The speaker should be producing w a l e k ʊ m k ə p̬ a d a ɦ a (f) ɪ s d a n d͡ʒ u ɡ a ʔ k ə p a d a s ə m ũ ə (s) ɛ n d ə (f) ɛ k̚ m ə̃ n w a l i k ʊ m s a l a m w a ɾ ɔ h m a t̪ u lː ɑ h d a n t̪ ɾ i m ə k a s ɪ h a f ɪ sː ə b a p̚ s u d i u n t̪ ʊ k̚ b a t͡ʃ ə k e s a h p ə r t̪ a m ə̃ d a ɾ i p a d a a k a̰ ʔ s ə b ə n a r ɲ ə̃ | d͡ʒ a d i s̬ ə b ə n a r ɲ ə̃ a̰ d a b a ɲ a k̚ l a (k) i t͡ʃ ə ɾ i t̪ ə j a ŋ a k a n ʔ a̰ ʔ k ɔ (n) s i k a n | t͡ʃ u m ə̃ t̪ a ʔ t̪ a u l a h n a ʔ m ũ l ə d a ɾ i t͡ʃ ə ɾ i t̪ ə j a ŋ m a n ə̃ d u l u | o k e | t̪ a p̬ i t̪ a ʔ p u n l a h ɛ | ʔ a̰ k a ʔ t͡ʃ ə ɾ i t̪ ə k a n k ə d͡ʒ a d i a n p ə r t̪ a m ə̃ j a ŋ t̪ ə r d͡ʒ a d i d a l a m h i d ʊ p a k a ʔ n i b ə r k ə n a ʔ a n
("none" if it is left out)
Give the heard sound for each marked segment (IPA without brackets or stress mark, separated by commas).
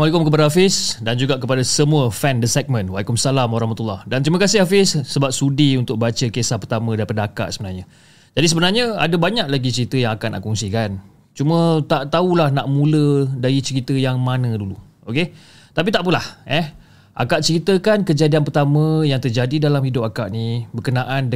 f, f, s, ɡ, ŋ